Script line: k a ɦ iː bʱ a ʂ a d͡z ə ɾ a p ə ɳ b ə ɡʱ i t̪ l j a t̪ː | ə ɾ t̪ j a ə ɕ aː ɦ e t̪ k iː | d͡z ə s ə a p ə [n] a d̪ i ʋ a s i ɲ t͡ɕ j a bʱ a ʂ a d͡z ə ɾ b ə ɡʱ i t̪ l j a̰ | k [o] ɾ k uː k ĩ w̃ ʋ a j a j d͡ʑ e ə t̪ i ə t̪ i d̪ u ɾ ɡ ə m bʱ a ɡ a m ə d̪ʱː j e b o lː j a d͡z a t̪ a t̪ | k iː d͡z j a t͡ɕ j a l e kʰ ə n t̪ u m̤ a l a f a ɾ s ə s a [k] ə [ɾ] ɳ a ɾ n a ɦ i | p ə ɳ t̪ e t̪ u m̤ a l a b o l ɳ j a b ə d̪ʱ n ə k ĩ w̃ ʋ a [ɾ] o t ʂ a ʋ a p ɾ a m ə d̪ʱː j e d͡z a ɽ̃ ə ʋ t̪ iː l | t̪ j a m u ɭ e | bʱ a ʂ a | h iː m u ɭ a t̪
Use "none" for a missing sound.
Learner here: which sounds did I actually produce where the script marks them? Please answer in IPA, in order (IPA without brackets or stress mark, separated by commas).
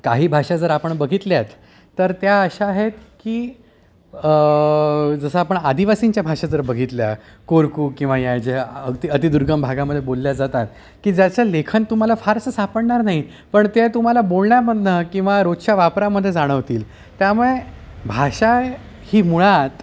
ɳ, o, p, ɽ, ɾ